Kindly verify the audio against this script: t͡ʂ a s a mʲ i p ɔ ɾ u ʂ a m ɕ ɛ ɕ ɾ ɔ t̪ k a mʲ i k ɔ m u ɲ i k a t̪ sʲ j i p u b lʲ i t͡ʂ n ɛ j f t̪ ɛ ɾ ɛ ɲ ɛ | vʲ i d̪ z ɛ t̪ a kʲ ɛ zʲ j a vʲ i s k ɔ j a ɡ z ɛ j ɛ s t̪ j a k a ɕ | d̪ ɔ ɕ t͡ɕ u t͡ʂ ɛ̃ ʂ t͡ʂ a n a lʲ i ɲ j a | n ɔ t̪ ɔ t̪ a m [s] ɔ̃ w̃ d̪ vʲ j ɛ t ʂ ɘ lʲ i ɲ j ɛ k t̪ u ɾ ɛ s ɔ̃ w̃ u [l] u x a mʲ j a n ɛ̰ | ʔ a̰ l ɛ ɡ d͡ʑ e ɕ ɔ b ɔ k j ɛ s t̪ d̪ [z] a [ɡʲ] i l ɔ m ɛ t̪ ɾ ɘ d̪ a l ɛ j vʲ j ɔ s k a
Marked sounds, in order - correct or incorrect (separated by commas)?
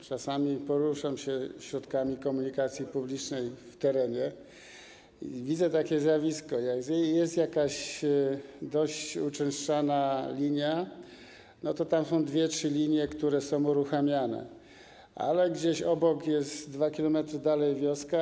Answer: correct, incorrect, incorrect, incorrect